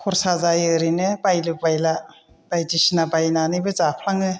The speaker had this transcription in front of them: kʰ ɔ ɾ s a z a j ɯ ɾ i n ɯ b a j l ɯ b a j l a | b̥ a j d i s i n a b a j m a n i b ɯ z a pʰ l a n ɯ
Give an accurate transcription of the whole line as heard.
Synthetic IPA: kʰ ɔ ɾ s a z a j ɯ ɾ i n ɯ b a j l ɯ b a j l a | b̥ a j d i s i n a b a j n a n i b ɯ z a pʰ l a ŋ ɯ